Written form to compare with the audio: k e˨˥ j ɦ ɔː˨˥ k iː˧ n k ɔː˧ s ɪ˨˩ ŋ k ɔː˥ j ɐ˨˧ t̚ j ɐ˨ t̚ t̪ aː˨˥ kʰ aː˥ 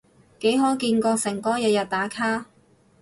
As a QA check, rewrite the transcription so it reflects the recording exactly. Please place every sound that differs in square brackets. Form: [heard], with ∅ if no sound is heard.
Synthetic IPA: k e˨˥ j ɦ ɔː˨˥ k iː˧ n k ɔː˧ s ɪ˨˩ ŋ k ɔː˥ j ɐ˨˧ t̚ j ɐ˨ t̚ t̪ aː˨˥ kʰ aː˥